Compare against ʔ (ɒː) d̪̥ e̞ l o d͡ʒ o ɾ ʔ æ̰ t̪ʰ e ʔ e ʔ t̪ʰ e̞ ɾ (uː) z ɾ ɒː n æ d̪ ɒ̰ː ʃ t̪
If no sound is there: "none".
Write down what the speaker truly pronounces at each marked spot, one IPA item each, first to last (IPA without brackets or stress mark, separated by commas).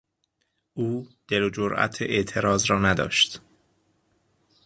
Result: uː, ɒː